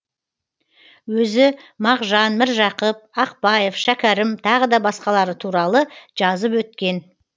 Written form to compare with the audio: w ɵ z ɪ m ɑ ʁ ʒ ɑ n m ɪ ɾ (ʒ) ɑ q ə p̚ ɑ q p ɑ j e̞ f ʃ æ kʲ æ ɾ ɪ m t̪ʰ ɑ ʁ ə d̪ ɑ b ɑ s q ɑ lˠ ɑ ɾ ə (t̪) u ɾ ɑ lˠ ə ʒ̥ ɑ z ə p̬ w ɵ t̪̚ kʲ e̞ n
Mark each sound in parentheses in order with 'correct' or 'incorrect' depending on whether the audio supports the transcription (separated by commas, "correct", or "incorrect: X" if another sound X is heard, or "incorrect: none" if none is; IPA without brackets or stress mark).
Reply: correct, incorrect: t̪ʰ